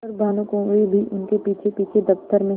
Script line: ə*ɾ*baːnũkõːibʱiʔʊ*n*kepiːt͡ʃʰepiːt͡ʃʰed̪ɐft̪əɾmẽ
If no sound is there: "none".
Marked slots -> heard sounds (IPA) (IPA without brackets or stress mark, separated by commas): ɾ, n